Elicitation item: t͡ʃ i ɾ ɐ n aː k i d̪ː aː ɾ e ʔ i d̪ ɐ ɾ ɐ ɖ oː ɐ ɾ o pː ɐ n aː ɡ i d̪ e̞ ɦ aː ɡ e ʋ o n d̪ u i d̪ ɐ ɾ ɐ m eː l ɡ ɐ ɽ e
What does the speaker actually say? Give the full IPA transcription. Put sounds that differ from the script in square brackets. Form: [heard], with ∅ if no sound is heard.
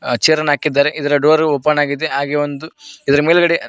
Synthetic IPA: t͡ʃ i ɾ ɐ n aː k i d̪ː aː ɾ e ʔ i d̪ ɐ ɾ ɐ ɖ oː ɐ ɾ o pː ɐ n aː ɡ i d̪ e̞ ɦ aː ɡ e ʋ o n d̪ u i d̪ ɐ ɾ ɐ m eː l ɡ ɐ ɽ e